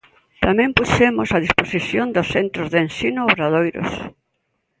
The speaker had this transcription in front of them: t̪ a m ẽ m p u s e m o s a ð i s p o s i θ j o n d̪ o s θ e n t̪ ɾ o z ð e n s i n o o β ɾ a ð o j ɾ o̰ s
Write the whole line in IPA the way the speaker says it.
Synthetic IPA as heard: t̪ a m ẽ m p u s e m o s a ð i s p o s i θ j o n d̪ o s θ e n t̪ ɾ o z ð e n s i n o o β ɾ a ð o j ɾ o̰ s

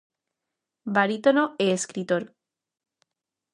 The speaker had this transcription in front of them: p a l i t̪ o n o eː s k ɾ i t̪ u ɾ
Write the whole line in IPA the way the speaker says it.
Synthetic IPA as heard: b a ɾ i t̪ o n o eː s k ɾ i t̪ o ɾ

